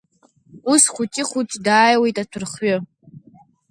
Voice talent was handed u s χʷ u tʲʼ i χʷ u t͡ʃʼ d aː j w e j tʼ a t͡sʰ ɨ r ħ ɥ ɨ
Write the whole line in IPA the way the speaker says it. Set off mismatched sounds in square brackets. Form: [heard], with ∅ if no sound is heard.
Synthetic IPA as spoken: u s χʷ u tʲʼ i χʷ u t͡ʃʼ d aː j w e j tʼ a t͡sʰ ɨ r [χ] ɥ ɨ